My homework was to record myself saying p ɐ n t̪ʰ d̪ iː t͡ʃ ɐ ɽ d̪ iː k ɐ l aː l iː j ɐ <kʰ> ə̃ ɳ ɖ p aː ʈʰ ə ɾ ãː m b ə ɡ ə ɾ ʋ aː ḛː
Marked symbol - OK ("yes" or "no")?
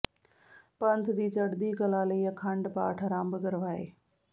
yes